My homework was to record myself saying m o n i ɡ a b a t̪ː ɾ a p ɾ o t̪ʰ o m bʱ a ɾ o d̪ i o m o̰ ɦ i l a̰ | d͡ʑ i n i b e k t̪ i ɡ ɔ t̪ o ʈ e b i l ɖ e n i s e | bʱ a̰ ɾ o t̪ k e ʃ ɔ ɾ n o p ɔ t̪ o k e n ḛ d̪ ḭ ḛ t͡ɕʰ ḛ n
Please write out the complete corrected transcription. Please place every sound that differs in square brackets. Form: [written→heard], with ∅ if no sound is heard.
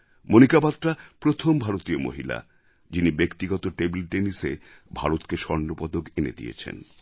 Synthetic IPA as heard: m o n i [ɡ→k] a b a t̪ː ɾ a p ɾ o t̪ʰ o m bʱ a ɾ o [d̪→t̪] i o m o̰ ɦ i l a̰ | d͡ʑ i n i b e k t̪ i ɡ ɔ t̪ o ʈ e b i l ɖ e n i s e | bʱ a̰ ɾ o t̪ k e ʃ ɔ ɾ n o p ɔ [t̪→d̪] o k e n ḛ d̪ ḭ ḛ t͡ɕʰ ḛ n